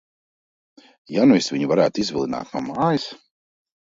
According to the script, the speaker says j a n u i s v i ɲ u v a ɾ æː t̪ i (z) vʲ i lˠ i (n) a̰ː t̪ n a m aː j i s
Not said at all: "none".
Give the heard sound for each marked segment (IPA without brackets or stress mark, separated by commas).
z, n